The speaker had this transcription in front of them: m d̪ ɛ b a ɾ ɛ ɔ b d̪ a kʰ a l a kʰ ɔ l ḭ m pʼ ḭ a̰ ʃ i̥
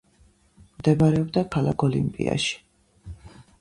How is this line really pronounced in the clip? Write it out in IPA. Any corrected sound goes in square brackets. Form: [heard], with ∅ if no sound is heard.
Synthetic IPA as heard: m d̪ ɛ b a ɾ ɛ ɔ b d̪ a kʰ a l a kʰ ɔ l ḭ m pʼ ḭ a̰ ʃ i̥